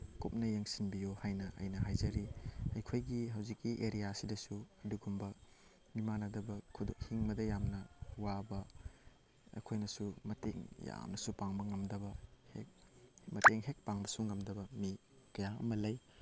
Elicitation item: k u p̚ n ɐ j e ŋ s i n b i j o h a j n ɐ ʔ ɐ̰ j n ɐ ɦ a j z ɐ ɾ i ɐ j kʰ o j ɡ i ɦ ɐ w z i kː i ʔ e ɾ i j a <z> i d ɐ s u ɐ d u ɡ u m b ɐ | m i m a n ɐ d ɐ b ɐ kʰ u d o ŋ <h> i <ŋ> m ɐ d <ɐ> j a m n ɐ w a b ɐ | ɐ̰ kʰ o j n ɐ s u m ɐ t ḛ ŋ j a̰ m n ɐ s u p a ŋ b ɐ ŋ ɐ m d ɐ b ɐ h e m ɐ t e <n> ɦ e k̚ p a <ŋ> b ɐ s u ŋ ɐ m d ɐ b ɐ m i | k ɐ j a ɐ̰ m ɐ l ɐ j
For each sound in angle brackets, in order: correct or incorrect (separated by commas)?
incorrect, correct, correct, correct, incorrect, correct